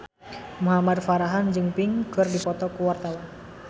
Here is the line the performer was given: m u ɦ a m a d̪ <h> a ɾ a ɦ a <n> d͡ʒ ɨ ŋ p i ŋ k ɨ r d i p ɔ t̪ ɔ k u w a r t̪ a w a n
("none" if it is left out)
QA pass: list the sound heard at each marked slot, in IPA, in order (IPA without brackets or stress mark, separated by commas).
f, n